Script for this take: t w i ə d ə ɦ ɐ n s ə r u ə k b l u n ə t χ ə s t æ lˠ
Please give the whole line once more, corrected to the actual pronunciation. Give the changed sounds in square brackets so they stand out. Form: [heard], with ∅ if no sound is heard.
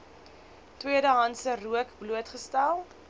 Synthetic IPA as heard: t w i ə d ə ɦ ɐ n s ə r u ə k b l u [∅] ə t χ ə s t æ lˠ

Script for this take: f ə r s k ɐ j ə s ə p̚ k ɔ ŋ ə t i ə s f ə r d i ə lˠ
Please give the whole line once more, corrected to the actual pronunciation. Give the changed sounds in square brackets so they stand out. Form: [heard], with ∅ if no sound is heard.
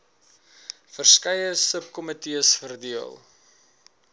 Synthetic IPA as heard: f ə r s k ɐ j ə s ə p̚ k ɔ [m] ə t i ə s f ə r d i ə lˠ

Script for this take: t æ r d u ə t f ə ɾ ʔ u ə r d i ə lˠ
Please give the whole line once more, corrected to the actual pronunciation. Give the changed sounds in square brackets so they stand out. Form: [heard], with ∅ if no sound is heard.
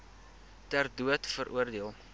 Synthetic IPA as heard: t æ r d u ə t f ə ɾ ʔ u ə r d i ə lˠ

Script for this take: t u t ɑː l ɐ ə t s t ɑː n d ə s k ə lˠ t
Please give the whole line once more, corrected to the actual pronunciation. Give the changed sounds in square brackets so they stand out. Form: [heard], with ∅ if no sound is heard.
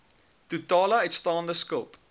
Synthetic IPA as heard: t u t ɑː l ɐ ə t s t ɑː n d ə s k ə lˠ t

